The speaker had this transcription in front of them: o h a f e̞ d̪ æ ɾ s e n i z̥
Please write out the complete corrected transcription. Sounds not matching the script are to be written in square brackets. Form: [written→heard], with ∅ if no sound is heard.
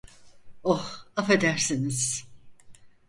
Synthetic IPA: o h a f e̞ d̪ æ ɾ s [e→i] n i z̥